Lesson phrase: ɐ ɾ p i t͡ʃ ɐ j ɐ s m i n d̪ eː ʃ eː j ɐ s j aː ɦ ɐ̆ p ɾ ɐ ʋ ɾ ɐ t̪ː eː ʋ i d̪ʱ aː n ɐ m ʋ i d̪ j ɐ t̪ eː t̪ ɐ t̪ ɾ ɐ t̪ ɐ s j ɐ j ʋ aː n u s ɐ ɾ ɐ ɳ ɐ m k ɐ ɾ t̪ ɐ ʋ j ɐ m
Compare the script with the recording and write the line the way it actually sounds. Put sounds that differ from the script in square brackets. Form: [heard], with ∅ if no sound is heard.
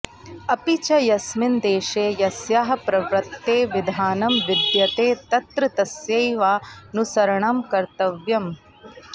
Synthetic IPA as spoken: ɐ [∅] p i t͡ʃ ɐ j ɐ s m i n d̪ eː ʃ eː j ɐ s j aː ɦ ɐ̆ p ɾ ɐ ʋ ɾ ɐ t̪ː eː ʋ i d̪ʱ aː n ɐ m ʋ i d̪ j ɐ t̪ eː t̪ ɐ t̪ ɾ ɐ t̪ ɐ s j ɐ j ʋ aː n u s ɐ ɾ ɐ ɳ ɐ m k ɐ ɾ t̪ ɐ ʋ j ɐ m